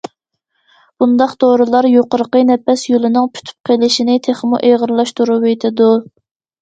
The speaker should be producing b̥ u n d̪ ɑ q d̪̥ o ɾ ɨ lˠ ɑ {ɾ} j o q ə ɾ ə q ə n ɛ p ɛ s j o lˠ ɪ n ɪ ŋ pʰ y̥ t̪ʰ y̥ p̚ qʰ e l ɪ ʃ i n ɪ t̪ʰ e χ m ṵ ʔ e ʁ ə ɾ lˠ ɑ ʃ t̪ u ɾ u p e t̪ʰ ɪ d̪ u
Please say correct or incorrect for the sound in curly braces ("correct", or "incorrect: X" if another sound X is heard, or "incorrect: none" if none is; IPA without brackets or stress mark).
correct